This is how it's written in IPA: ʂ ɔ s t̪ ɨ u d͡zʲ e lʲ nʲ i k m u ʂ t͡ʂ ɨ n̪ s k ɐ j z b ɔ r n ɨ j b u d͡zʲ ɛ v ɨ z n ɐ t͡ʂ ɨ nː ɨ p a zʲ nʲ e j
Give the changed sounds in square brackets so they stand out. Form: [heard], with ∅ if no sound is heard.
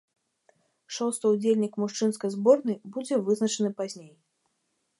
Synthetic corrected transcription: ʂ ɔ s t̪ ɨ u d͡zʲ e lʲ nʲ i k m u ʂ t͡ʂ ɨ n̪ s k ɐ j z b ɔ r n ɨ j b u d͡zʲ ɛ v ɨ z n ɐ t͡ʂ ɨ [n] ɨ p a zʲ nʲ e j